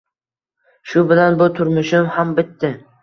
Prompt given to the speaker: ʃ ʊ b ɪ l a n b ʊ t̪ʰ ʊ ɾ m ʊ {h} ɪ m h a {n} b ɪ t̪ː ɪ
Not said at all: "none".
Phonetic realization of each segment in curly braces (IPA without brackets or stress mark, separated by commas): ʃ, m